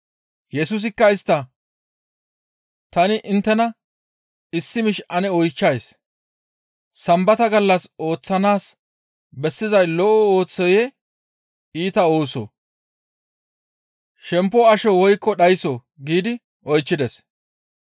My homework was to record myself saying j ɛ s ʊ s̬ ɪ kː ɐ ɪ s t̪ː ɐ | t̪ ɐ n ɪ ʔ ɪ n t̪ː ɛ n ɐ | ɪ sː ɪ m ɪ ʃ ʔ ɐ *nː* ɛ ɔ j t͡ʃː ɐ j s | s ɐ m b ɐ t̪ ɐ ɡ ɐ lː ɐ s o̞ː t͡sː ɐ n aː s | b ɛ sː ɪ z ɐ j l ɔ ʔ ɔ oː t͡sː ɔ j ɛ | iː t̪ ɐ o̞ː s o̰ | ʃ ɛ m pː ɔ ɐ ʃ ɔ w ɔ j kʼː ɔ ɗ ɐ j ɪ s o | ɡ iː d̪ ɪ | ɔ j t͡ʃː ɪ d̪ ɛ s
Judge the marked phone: incorrect: n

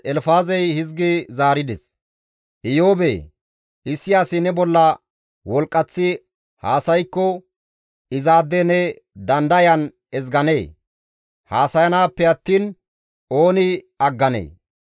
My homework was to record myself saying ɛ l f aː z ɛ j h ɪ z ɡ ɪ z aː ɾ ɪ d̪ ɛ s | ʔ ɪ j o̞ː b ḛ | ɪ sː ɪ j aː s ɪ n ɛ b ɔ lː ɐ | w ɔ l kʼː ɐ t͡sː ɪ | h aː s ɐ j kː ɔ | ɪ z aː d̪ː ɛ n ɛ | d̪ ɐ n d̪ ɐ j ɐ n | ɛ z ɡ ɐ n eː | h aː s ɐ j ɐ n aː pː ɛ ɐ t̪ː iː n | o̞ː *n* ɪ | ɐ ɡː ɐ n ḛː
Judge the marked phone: correct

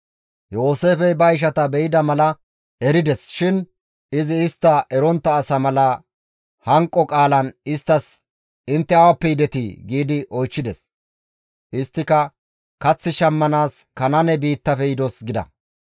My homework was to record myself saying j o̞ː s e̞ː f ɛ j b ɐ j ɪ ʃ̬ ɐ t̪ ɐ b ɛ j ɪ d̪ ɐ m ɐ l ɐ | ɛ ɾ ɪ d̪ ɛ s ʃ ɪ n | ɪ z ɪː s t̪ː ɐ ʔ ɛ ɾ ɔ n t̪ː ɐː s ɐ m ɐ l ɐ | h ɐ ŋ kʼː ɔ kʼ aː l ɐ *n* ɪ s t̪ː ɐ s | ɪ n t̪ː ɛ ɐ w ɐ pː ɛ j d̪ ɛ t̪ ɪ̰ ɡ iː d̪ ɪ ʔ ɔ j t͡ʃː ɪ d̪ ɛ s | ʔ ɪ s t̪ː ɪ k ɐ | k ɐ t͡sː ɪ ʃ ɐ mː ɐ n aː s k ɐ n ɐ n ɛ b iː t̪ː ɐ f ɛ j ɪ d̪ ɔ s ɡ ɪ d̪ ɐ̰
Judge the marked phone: correct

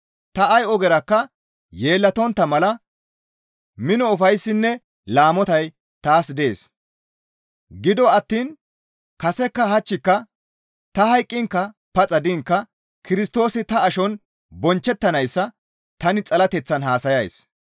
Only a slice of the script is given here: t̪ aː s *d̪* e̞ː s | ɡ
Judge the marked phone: correct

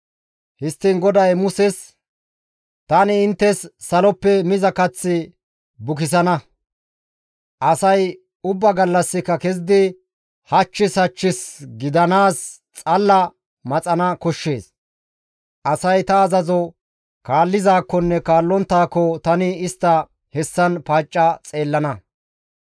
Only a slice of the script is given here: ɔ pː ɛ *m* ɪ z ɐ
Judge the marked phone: correct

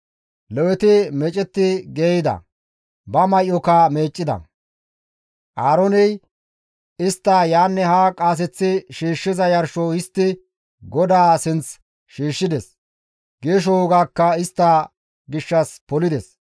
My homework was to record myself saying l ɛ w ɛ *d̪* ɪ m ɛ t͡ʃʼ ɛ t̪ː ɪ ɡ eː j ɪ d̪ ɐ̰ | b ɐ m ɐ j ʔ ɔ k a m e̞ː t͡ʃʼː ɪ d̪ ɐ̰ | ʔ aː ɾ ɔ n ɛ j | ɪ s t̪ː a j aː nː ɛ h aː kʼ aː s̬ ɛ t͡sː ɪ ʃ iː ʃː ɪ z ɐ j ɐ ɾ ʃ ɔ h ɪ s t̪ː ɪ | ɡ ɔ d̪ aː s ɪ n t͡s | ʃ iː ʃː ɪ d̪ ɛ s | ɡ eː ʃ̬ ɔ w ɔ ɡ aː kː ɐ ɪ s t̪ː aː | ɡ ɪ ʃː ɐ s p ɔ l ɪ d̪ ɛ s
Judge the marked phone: incorrect: t̪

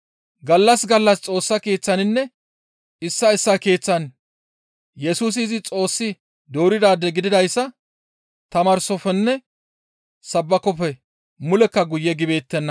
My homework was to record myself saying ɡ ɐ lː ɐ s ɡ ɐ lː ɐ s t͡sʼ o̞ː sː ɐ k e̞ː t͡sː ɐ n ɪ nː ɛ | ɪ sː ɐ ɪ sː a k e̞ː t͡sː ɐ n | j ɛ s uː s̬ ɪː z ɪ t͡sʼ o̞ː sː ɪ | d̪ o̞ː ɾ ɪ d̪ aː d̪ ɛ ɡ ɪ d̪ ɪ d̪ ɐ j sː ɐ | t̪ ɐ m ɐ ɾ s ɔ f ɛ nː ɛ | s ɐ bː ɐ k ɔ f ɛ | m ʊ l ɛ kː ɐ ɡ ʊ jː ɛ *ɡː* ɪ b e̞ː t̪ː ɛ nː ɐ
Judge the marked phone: incorrect: ɡ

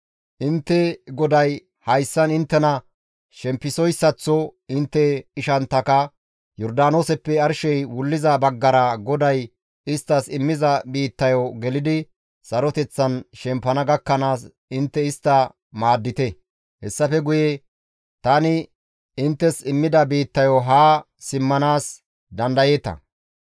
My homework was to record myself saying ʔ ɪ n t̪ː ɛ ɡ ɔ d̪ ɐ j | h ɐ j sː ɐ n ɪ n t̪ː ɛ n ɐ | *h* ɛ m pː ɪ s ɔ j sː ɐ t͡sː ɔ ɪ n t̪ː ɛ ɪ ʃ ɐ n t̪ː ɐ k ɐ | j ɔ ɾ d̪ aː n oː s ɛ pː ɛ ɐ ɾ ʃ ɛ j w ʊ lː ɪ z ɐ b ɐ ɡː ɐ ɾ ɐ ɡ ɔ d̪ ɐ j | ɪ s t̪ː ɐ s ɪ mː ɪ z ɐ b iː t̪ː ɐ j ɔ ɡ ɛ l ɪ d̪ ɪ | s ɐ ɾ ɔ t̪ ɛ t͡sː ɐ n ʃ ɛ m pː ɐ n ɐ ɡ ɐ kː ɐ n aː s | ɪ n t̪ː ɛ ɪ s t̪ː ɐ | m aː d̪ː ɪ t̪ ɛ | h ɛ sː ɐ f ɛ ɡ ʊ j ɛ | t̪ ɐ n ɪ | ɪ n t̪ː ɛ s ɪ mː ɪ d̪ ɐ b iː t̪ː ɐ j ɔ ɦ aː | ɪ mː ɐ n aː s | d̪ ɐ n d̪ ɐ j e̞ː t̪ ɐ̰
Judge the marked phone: incorrect: ʃ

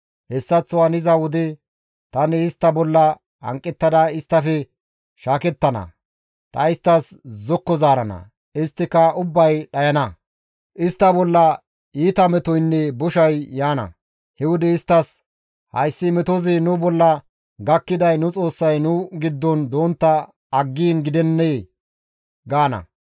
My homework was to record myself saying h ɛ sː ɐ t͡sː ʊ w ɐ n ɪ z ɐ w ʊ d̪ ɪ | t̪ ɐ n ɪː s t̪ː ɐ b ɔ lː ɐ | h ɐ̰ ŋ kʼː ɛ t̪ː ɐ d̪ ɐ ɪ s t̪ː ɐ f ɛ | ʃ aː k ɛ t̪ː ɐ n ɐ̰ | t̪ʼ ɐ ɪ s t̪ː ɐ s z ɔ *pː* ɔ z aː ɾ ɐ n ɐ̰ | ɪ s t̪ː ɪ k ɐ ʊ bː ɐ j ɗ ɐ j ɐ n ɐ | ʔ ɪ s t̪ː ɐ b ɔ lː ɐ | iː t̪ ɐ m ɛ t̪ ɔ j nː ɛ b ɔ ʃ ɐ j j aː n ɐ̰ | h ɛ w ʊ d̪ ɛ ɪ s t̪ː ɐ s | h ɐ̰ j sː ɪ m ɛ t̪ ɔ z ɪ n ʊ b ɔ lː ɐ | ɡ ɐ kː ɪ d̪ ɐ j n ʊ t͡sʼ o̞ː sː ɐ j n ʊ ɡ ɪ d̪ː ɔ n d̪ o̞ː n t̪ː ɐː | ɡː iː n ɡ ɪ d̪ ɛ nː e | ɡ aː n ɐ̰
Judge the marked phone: incorrect: kː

